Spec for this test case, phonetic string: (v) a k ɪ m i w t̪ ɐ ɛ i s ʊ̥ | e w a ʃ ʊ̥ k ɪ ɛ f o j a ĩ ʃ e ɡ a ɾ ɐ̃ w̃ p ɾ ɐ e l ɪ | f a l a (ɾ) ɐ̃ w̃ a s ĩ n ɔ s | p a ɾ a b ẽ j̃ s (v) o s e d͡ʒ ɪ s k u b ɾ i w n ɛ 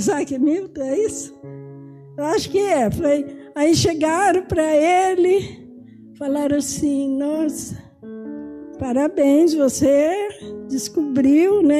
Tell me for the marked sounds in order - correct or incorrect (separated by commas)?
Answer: incorrect, correct, correct